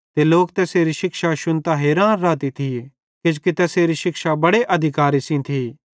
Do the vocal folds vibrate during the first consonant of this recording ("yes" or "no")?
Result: no